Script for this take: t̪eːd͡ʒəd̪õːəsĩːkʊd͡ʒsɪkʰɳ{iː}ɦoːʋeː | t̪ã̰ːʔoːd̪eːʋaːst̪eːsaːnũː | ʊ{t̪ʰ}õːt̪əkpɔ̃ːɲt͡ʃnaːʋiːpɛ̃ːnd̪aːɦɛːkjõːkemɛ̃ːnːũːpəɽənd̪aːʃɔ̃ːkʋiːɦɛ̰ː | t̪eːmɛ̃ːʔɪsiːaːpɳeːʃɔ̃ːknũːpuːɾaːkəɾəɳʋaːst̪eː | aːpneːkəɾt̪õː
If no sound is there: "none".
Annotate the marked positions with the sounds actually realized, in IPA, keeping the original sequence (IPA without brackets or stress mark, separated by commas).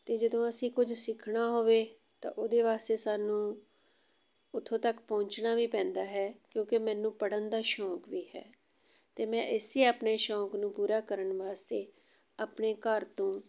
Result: aː, t̪ʰ